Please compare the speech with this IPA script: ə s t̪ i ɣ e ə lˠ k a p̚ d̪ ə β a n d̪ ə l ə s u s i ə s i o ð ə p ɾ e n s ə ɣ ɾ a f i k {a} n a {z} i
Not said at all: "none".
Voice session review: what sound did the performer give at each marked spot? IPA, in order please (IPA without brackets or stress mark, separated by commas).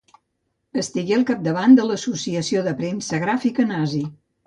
ə, z